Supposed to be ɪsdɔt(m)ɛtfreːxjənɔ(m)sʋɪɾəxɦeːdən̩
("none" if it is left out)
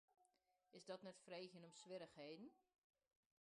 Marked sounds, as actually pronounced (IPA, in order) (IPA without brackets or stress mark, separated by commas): n, m